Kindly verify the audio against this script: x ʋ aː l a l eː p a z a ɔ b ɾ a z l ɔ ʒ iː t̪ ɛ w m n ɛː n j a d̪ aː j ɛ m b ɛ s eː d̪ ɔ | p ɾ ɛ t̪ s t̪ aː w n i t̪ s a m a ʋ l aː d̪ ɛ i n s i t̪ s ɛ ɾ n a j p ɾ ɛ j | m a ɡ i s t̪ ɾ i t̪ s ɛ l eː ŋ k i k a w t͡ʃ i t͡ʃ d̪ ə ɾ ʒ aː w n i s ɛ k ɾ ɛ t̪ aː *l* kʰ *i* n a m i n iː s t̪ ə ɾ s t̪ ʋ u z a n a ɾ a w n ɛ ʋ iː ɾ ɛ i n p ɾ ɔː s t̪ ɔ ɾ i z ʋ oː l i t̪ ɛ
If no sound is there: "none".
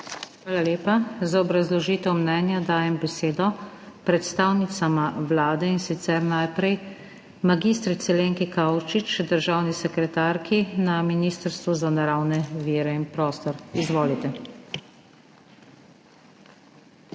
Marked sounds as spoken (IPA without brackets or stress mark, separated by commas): ɾ, i